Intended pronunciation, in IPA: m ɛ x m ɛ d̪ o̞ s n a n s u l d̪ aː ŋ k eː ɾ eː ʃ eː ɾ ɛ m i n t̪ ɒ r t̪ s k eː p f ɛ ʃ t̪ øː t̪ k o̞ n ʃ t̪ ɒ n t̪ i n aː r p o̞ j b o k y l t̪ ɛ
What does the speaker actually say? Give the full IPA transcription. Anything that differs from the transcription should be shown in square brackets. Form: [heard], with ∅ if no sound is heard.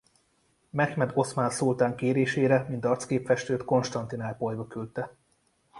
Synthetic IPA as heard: m ɛ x m ɛ d̪ o̞ s [m] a n s u l [t̪] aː ŋ k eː ɾ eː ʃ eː ɾ ɛ m i n t̪ ɒ r t̪ s k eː p f ɛ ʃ t̪ øː t̪ k o̞ n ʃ t̪ ɒ n t̪ i n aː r p o̞ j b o k y l t̪ ɛ